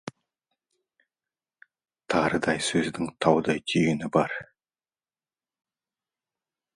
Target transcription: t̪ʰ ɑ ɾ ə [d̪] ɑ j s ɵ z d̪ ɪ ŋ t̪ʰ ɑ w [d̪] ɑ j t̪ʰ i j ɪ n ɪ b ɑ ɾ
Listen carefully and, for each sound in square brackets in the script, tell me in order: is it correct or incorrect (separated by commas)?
correct, correct